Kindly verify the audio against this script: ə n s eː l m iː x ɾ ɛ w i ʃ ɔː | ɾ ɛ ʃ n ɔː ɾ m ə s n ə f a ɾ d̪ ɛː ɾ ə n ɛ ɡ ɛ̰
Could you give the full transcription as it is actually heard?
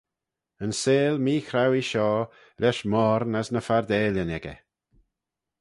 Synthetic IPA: ə n s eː l m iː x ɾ a w i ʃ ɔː | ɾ ɛ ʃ m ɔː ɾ n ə s n ə f a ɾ d̪ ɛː l ə n ɛ ɡ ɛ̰